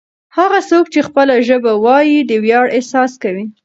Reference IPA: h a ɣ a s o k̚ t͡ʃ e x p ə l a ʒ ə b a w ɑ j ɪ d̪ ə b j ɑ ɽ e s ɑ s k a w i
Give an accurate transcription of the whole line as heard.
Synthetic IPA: h a ɣ a s o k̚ t͡ʃ e x p ə l a ʒ ə b a w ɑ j i d̪ ə w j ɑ ɽ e s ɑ s k a w i